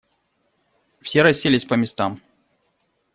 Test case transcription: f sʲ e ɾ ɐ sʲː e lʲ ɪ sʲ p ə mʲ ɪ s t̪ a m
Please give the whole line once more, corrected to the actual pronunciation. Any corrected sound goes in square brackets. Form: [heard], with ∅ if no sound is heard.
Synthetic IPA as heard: f sʲ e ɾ ɐ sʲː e lʲ ɪ sʲ p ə mʲ ɪ s t̪ a m